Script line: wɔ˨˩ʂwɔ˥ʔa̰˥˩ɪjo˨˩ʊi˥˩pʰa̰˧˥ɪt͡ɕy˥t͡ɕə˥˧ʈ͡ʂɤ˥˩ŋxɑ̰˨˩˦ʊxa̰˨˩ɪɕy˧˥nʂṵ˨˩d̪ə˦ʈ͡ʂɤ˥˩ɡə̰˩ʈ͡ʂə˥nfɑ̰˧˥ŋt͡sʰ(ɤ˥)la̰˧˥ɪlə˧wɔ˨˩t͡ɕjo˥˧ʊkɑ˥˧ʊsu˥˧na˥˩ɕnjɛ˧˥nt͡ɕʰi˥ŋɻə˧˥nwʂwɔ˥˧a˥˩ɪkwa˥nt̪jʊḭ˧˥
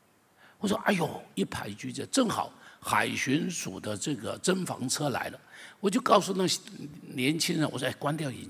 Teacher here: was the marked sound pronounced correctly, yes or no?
yes